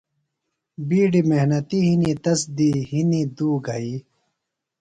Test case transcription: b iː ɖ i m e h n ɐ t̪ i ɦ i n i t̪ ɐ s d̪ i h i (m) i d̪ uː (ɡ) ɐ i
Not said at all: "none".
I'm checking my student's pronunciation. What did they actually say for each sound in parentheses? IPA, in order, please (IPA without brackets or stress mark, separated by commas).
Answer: n, ɡ